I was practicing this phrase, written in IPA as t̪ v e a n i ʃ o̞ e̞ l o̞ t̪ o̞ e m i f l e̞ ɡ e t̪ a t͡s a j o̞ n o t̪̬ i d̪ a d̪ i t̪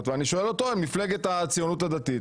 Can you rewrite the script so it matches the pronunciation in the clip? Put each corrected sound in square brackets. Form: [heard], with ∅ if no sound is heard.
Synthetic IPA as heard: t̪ v e a n i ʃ o̞ e̞ l o̞ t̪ o̞ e m i f l e̞ ɡ e t̪ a t͡s [i] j o̞ n [u] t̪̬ [a] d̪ a [t̪] i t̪